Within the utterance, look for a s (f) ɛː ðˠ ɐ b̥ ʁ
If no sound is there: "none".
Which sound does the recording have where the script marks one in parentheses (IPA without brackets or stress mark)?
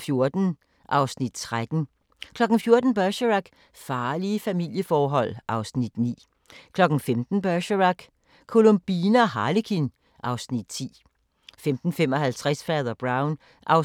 f